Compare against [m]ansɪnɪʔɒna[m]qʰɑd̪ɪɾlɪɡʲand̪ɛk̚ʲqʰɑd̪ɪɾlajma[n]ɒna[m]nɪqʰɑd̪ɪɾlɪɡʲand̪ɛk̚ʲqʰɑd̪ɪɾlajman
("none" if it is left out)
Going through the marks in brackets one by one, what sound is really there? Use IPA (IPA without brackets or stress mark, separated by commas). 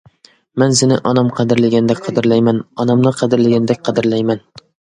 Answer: m, m, n, m